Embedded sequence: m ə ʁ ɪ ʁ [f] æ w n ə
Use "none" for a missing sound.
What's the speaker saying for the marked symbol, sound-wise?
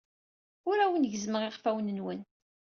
f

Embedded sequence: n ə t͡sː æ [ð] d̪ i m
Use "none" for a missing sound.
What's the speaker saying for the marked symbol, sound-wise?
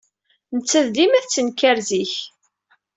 ð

